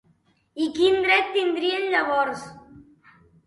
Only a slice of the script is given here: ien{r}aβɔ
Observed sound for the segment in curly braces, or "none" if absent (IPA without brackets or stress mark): ʎ